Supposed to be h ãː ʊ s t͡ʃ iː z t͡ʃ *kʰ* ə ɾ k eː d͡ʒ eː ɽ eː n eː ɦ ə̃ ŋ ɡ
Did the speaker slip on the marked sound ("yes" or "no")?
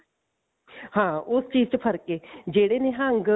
yes